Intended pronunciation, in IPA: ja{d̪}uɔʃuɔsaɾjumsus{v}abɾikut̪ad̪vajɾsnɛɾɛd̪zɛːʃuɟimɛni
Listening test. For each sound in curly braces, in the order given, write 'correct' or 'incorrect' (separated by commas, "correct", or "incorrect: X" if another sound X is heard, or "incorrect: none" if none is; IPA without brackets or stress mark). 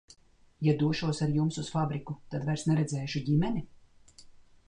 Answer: correct, incorrect: f